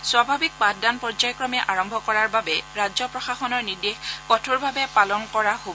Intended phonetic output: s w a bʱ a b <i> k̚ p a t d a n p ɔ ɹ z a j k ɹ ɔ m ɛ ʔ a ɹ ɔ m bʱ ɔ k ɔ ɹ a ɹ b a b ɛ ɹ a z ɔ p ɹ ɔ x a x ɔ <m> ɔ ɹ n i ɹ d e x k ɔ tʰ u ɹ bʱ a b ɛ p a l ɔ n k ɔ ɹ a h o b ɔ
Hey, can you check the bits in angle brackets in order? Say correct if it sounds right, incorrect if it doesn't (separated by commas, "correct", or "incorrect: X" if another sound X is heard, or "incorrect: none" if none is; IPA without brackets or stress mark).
correct, incorrect: n